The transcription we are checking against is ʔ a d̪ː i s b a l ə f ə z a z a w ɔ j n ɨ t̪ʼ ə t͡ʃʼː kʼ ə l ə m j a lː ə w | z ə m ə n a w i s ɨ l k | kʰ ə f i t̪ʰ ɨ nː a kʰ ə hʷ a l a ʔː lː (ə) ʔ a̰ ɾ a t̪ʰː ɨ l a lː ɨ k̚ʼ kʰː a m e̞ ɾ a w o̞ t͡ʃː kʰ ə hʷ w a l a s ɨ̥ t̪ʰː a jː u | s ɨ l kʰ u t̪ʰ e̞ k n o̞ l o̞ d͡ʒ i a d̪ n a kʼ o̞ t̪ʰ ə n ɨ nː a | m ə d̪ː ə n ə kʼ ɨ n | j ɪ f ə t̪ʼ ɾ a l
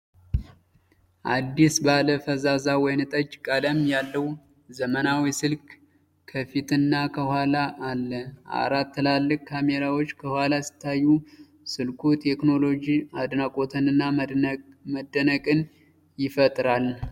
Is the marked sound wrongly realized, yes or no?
no